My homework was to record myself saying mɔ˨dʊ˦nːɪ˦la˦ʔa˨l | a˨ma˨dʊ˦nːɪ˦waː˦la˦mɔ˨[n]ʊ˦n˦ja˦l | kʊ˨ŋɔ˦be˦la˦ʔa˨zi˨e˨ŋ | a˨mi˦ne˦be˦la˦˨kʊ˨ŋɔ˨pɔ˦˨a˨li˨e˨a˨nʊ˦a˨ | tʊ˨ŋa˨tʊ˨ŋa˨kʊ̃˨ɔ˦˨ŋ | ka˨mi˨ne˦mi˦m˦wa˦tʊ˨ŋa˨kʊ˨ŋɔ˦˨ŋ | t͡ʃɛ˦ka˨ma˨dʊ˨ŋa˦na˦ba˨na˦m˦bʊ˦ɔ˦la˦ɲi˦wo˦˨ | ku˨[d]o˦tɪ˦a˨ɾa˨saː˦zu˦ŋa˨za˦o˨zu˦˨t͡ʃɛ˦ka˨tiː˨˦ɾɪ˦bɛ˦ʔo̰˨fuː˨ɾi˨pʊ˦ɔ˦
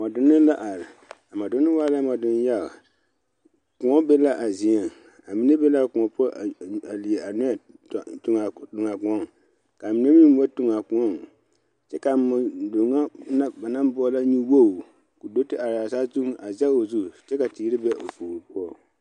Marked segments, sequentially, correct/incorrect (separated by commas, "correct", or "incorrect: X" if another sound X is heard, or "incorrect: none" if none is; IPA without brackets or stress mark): incorrect: d, correct